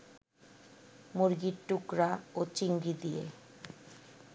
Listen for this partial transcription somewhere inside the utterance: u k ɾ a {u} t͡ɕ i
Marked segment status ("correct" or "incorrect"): incorrect